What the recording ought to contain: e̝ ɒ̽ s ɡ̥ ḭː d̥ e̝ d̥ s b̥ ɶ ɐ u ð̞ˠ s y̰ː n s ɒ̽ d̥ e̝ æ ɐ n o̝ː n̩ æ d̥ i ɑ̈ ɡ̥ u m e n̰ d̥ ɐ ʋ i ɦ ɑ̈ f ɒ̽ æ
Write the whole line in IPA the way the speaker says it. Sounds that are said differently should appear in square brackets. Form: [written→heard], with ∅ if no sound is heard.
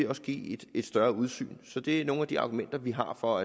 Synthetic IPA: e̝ ɒ̽ s ɡ̥ ḭː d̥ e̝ d̥ s [b̥→d̥] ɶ ɐ u ð̞ˠ s y̰ː n s ɒ̽ d̥ e̝ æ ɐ n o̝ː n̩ æ d̥ i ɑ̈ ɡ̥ u m e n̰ d̥ ɐ ʋ i ɦ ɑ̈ f ɒ̽ æ